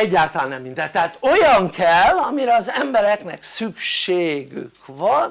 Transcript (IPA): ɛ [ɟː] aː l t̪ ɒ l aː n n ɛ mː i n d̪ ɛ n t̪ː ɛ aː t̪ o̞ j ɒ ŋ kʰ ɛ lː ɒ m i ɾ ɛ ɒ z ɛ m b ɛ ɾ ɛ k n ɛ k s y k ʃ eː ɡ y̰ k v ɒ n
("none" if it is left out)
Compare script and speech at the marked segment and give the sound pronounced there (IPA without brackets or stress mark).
ɟː